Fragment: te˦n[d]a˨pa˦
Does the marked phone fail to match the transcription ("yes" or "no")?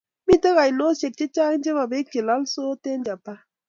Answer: yes